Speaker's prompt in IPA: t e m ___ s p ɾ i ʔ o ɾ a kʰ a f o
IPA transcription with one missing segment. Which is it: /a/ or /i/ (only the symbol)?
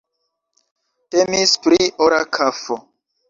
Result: i